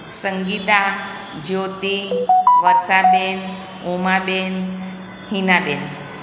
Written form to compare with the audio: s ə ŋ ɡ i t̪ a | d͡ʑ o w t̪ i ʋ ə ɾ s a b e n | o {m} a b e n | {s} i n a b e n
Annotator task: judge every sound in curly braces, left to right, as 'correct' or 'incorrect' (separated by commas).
correct, incorrect